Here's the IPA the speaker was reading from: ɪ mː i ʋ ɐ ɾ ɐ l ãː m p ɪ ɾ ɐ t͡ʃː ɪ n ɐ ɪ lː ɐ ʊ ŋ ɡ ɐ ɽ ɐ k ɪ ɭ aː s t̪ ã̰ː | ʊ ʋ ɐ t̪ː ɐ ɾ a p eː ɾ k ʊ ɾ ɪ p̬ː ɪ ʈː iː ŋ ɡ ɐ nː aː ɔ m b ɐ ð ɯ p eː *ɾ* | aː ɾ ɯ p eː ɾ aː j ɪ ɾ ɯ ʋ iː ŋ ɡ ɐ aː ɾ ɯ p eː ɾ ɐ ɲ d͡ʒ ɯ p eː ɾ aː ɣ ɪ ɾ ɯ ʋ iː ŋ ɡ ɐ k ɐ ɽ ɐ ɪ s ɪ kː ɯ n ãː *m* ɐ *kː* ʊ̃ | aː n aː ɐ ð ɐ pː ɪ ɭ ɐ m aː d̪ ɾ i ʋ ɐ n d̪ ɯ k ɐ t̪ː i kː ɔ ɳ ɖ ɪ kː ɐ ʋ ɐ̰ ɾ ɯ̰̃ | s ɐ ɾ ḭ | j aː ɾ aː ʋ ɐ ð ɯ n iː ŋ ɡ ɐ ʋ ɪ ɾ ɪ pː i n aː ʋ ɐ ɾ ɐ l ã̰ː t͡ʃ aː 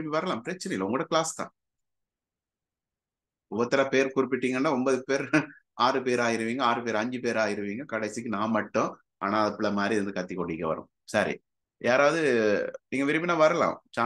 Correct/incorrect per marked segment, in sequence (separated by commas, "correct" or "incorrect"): correct, correct, incorrect